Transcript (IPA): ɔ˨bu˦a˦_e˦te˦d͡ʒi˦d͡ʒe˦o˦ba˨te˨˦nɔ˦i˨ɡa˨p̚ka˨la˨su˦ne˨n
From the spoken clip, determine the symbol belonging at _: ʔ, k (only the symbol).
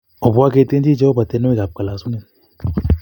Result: k